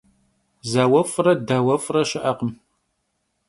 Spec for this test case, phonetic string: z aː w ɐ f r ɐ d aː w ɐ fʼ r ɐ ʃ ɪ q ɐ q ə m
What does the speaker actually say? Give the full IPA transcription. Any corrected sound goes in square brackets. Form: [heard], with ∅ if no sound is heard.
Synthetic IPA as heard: z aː w ɐ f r ɐ d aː w ɐ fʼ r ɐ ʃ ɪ [ʔ] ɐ q ə m